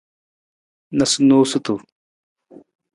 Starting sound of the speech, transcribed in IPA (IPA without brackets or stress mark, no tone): n